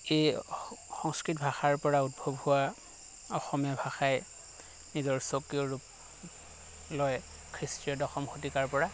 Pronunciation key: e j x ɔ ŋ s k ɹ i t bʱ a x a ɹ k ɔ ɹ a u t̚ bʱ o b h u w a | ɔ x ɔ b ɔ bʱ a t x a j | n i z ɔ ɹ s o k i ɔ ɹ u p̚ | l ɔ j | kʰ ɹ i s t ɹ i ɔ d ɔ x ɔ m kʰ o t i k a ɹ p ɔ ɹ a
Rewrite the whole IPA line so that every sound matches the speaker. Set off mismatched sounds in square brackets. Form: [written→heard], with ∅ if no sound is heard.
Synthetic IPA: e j x ɔ ŋ s k ɹ i t bʱ a x a ɹ [k→p] ɔ ɹ a u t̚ bʱ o b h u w a | ɔ x ɔ [b→m] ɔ bʱ a [t→∅] x a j | n i z ɔ ɹ s o k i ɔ ɹ u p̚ | l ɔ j | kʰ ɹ i s t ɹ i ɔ d ɔ x ɔ m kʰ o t i k a ɹ p ɔ ɹ a